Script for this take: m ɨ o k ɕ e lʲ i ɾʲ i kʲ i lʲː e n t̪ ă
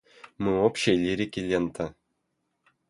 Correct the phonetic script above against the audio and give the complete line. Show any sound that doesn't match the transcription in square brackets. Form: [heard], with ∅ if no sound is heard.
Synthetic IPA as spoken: m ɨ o [p] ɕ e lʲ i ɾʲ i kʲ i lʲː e n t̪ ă